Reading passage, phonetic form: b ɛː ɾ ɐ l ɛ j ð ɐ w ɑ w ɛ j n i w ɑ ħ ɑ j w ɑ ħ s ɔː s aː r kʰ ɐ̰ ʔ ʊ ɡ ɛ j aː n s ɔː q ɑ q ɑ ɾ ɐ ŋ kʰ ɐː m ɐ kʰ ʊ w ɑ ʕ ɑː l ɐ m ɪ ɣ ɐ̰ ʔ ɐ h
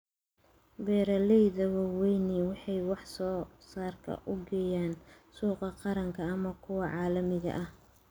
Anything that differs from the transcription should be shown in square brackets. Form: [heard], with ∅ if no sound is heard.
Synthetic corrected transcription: b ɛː ɾ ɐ l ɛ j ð ɐ w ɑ w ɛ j n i w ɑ ħ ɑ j w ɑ ħ s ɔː s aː r kʰ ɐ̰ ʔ ʊ ɡ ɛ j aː n s [uː] q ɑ q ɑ ɾ ɐ ŋ kʰ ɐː m ɐ kʰ ʊ w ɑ ʕ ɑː l ɐ m ɪ ɣ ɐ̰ ʔ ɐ h